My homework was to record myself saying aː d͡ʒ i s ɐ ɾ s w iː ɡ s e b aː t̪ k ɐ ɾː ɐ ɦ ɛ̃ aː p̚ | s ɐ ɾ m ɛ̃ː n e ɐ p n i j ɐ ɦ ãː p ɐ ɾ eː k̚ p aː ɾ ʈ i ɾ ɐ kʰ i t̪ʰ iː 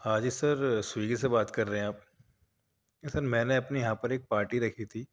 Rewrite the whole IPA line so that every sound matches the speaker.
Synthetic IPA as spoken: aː d͡ʒ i s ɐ ɾ s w iː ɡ s e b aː t̪ k ɐ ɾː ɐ ɦ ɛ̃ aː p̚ | s ɐ ɾ m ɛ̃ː n e ɐ p n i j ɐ ɦ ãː p ɐ ɾ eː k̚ p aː ɾ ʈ i ɾ ɐ kʰ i t̪ʰ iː